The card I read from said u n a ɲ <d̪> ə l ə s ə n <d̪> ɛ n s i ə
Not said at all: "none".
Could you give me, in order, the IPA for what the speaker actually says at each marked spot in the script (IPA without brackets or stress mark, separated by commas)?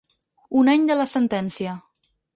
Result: d̪, t̪